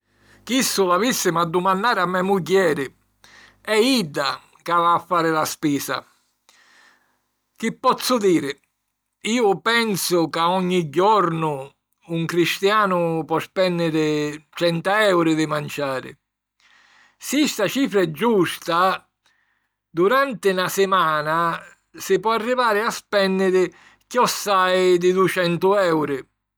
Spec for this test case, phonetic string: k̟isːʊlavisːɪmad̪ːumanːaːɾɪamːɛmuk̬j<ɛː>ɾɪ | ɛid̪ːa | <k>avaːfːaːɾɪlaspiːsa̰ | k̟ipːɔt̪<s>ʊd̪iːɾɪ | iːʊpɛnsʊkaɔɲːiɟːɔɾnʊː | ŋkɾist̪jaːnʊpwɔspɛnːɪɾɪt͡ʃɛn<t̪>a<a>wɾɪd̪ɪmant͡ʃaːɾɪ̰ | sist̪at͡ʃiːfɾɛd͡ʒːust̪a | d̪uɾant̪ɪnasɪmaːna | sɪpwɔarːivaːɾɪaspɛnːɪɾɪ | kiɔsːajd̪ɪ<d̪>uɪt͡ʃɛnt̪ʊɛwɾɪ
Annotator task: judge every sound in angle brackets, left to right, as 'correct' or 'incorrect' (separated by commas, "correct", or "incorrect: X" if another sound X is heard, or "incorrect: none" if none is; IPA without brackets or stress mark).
correct, correct, incorrect: sː, correct, incorrect: ɛ, correct